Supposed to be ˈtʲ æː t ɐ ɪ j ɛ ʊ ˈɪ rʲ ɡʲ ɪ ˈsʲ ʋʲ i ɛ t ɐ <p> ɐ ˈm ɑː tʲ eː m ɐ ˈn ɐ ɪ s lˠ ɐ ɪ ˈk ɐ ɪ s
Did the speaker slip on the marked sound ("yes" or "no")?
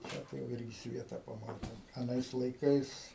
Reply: no